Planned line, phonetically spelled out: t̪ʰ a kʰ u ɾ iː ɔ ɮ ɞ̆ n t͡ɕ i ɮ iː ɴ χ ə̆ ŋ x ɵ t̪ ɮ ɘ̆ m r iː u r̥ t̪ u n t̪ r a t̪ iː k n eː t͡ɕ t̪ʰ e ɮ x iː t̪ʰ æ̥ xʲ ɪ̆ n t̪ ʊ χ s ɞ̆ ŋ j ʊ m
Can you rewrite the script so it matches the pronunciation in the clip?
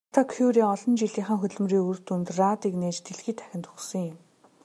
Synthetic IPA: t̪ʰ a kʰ u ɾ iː ɔ ɮ ɞ̆ n t͡ɕ i ɮ iː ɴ χ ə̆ ŋ x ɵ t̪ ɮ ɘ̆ m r iː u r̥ t̪ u n t̪ r a t̪ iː k n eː t͡ɕ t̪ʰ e ɮ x iː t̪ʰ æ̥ xʲ ɪ̆ n t̪ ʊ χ s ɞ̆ ŋ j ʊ m